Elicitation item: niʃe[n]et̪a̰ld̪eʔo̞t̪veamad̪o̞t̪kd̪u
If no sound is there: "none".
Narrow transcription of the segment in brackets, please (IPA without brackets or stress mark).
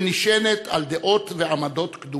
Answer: n